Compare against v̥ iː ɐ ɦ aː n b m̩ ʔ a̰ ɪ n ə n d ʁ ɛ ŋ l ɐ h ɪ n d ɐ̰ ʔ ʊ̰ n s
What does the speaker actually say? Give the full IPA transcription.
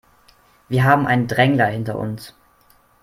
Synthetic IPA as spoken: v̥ iː ɐ ɦ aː b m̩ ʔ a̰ ɪ n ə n d ʁ ɛ ŋ l ɐ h ɪ n t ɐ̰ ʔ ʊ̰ n s